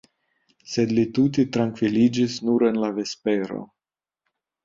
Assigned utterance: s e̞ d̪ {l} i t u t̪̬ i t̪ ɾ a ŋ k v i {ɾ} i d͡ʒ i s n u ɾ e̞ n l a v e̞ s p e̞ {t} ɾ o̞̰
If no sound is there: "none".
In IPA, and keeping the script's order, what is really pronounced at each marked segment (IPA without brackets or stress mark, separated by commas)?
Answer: l, l, none